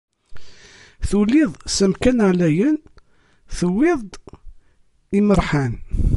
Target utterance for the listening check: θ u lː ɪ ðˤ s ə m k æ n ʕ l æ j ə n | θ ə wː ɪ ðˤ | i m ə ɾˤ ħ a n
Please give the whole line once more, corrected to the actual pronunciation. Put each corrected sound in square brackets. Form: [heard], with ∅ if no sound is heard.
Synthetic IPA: θ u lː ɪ ðˤ s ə m k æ n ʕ l æ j ə n | θ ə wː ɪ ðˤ | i m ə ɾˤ ħ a n